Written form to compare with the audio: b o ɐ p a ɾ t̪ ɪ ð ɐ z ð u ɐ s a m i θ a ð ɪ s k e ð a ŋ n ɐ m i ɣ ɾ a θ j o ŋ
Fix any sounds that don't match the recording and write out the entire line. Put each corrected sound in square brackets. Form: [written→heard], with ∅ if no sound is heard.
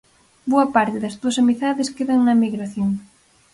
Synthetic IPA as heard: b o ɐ p a ɾ t̪ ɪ ð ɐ z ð u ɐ s a m i θ a ð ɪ s k e ð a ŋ n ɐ m i ɣ ɾ a θ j o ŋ